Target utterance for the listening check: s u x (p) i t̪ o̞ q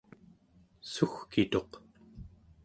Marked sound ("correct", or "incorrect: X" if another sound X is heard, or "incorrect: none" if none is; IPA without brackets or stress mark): incorrect: k